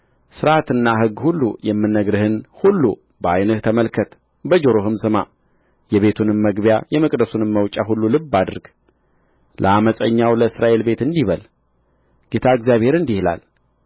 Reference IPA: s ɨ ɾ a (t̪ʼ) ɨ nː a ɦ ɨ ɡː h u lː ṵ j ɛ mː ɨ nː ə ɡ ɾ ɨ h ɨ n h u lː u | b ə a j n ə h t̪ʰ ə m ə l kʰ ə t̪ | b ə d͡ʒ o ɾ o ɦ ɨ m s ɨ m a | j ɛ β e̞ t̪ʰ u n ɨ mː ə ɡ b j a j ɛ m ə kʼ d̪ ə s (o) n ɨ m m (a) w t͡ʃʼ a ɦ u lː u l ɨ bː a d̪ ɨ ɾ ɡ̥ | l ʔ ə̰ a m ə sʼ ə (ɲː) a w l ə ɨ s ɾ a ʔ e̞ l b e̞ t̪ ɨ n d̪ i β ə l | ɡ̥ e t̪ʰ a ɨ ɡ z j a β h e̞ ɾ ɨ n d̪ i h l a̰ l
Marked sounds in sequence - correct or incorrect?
incorrect: t̪, incorrect: u, incorrect: ə, correct

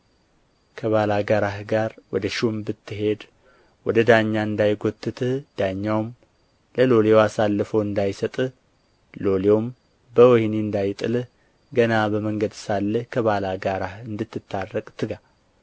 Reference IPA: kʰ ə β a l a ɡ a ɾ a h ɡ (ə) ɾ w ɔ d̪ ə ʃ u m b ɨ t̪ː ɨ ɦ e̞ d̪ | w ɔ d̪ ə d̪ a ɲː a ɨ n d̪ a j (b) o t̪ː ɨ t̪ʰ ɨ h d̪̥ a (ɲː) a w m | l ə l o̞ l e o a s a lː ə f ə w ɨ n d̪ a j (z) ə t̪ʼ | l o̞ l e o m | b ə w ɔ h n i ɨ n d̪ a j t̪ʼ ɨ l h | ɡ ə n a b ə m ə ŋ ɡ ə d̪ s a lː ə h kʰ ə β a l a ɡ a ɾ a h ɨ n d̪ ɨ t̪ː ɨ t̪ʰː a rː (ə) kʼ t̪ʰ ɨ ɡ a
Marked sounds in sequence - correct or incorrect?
incorrect: a, incorrect: ɡ, correct, incorrect: s, correct

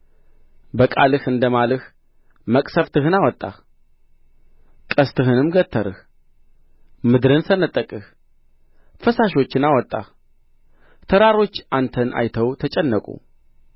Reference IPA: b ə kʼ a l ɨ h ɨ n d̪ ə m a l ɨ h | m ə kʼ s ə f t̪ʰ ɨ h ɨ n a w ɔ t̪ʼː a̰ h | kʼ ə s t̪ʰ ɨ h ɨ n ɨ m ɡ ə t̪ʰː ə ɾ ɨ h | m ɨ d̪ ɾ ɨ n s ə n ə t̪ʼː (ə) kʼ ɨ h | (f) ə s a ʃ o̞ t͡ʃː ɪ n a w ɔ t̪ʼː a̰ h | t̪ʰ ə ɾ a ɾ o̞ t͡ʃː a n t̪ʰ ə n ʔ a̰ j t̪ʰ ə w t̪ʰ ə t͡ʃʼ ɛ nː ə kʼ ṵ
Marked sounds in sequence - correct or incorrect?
correct, correct

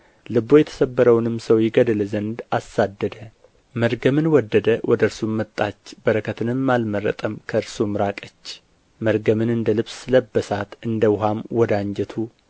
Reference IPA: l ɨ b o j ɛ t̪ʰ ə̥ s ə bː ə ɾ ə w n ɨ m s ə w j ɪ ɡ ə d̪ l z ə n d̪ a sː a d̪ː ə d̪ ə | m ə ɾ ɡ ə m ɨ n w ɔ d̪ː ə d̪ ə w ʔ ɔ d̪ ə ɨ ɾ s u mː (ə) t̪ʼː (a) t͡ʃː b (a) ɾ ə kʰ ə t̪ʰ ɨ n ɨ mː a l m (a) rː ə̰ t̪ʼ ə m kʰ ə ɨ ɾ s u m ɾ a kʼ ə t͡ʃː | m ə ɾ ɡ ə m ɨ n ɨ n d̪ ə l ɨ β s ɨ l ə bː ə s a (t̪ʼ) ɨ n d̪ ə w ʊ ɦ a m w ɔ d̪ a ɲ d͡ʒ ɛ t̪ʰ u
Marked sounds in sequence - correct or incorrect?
correct, correct, incorrect: ə, incorrect: ə, incorrect: t̪

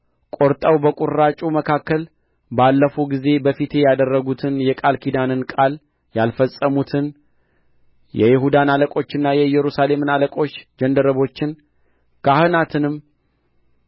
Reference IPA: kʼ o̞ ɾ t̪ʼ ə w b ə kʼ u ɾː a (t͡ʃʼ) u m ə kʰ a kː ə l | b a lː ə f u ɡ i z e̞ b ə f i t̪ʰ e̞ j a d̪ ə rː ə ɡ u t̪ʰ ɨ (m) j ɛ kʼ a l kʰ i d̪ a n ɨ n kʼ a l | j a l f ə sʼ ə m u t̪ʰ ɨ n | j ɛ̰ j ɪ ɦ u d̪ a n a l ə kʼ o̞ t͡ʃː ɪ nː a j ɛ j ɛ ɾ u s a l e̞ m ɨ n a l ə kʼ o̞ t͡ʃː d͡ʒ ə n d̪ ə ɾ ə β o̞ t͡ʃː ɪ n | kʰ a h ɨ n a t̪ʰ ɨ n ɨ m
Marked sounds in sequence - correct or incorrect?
correct, incorrect: n

